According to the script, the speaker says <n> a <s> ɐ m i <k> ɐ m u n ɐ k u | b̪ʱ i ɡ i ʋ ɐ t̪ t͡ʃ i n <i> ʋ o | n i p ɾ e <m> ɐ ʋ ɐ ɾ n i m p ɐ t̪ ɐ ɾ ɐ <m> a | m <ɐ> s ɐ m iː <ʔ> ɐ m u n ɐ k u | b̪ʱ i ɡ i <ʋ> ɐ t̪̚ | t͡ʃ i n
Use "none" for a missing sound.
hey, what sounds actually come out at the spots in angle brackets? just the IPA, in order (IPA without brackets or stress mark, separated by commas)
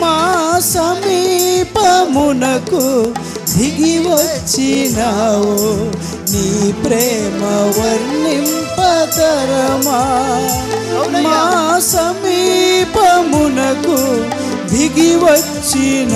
m, s, p, a, m, m, a, p, ʋ